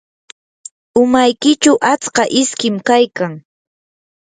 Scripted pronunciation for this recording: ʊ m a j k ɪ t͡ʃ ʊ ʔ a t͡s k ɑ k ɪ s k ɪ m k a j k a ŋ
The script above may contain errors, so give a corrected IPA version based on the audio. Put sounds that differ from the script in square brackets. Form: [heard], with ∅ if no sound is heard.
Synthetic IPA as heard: ʊ m a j k ɪ t͡ʃ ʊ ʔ a t͡s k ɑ [ʔ] ɪ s k ɪ m k a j k a ŋ